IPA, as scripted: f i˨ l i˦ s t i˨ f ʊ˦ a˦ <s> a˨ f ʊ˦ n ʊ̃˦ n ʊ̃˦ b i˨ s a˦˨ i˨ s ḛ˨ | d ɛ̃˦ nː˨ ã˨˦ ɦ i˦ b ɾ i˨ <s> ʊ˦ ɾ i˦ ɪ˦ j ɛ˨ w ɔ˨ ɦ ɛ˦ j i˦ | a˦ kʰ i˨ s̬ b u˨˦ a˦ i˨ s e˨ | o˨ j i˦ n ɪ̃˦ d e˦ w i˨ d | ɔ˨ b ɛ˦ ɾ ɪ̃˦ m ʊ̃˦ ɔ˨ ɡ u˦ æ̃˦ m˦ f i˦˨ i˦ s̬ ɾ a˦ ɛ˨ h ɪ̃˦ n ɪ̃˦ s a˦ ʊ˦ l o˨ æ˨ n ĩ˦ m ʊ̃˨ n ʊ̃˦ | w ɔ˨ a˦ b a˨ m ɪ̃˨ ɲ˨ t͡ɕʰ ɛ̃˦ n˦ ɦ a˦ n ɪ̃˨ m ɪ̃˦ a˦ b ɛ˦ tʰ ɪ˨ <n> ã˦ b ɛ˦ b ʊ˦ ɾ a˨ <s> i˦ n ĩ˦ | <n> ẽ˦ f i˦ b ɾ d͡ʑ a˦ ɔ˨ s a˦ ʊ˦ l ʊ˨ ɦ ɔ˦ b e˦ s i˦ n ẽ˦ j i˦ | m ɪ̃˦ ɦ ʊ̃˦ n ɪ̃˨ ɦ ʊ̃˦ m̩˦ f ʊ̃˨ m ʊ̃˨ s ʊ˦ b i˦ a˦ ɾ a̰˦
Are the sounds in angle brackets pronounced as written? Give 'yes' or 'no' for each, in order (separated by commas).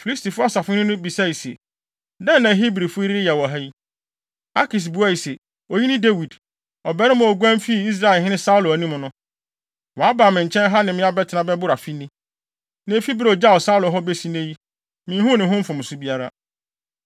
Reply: yes, no, yes, no, yes